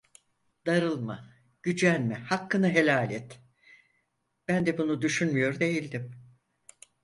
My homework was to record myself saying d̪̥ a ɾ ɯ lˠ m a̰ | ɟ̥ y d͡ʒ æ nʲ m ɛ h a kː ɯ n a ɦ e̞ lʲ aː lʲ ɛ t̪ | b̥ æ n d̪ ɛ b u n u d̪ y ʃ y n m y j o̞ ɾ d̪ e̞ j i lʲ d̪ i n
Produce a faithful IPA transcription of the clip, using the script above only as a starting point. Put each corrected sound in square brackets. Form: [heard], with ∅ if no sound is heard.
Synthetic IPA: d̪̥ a ɾ ɯ lˠ m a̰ | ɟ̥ y d͡ʒ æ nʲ m ɛ h a kː ɯ n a ɦ e̞ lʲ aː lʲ ɛ t̪ | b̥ æ n d̪ ɛ b u n u d̪ y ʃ y n m y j o̞ ɾ d̪ e̞ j i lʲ d̪ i [m]